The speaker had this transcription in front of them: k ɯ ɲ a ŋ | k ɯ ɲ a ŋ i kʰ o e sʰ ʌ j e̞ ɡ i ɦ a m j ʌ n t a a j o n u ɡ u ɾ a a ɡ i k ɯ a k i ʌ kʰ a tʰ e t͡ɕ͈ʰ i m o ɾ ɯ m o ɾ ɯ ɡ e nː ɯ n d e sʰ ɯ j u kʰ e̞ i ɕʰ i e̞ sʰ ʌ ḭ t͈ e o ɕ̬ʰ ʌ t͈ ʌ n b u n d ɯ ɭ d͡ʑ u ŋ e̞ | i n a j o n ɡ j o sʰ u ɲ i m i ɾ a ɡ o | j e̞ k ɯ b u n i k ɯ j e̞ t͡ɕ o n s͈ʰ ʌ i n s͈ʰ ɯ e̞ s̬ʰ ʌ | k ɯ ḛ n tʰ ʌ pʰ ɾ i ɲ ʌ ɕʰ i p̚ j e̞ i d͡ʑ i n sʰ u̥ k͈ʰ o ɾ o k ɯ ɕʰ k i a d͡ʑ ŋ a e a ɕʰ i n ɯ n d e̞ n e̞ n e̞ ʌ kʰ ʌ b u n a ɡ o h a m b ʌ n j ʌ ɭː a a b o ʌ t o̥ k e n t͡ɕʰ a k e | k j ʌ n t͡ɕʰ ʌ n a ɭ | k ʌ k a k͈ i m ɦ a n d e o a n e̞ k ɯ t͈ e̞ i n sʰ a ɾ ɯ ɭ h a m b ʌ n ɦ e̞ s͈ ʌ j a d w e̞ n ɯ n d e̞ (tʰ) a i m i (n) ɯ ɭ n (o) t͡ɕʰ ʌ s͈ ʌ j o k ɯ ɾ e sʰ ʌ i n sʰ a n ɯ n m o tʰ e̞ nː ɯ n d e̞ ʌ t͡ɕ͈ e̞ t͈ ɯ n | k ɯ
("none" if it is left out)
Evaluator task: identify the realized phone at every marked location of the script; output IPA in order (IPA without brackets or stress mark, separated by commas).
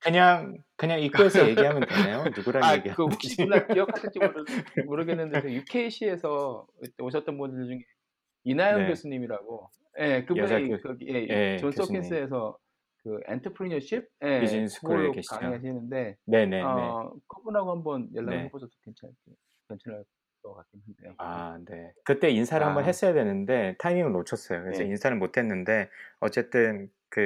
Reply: tʰ, ŋ, o